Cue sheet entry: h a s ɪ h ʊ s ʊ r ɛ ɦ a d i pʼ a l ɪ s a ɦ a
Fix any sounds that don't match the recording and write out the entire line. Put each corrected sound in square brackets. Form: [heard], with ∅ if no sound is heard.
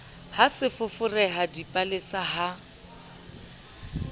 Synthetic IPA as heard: h a s ɪ [f] ʊ [f] ʊ r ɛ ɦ a d i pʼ a l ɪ s a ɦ a